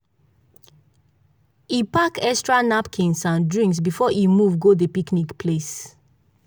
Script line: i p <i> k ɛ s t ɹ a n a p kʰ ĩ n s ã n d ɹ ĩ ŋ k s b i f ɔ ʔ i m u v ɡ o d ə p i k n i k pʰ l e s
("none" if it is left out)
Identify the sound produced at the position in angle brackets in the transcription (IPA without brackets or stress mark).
a